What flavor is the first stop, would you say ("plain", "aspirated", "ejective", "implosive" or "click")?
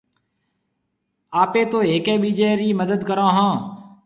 plain